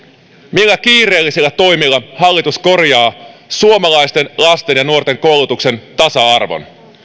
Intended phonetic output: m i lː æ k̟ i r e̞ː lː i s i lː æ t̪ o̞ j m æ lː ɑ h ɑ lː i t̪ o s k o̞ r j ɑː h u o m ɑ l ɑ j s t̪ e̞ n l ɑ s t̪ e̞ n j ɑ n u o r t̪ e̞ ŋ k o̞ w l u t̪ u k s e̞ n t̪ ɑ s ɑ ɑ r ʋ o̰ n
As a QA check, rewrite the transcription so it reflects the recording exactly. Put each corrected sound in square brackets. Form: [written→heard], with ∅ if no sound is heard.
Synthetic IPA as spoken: m i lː æ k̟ [i→iː] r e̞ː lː i s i lː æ t̪ o̞ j m [æ→i] lː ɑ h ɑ lː i t̪ [o→u] s k o̞ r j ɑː [h→s] u o m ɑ l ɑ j s t̪ e̞ n l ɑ s t̪ e̞ n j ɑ n u o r t̪ e̞ ŋ k o̞ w l u t̪ u k s e̞ n t̪ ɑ s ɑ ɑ r ʋ o̰ n